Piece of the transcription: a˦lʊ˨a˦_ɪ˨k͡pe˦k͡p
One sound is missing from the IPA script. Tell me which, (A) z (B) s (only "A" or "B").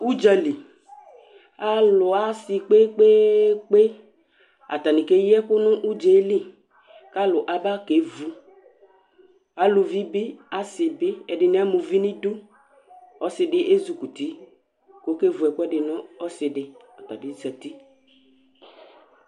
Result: B